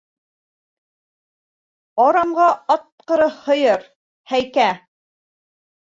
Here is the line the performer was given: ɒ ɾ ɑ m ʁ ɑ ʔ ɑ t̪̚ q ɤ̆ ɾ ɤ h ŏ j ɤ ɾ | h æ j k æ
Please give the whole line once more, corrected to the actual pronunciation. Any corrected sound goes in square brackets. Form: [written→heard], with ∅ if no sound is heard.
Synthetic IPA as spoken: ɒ ɾ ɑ m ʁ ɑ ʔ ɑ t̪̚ q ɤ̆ ɾ ɤ h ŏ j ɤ ɾ | h æ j k æ